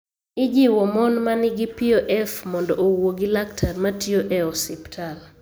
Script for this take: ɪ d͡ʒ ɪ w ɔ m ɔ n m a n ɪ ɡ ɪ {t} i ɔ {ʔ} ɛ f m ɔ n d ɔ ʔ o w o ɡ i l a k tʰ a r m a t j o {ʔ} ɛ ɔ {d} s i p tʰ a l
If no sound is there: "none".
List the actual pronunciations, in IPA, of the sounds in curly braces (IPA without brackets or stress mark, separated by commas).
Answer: p, ʔ, ʔ, none